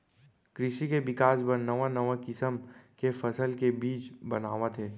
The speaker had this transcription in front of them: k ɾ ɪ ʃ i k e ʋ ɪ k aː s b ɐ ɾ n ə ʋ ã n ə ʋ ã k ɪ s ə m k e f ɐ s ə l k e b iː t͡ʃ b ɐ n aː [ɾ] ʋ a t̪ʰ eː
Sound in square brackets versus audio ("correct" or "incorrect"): incorrect